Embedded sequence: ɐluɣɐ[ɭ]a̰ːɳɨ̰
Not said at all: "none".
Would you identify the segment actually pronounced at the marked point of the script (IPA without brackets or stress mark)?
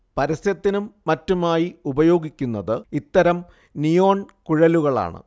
ɭ